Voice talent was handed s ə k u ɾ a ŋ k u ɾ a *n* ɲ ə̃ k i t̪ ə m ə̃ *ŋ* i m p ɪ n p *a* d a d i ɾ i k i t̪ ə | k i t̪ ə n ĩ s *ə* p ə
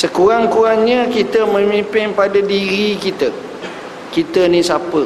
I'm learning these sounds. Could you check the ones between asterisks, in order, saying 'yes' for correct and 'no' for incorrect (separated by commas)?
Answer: no, no, yes, no